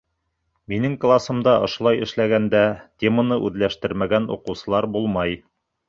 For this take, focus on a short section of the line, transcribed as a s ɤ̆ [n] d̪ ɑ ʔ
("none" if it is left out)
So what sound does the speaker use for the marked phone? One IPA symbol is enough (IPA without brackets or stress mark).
m